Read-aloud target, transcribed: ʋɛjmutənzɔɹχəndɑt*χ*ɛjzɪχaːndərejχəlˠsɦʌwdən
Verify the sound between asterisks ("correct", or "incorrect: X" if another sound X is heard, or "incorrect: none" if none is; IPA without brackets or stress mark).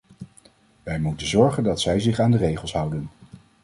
incorrect: s